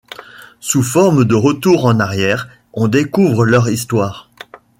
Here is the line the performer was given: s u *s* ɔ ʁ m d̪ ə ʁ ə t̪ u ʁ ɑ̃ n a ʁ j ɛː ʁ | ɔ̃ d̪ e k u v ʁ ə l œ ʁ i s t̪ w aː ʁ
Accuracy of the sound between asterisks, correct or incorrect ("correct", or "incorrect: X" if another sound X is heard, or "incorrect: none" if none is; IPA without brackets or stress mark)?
incorrect: f